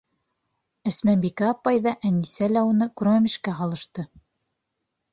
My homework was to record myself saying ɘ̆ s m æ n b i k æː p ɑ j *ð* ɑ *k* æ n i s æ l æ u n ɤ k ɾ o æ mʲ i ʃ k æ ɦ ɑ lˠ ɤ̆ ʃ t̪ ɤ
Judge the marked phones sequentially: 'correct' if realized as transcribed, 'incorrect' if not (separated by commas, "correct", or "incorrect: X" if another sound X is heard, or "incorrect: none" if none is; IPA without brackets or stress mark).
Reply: correct, incorrect: ʔ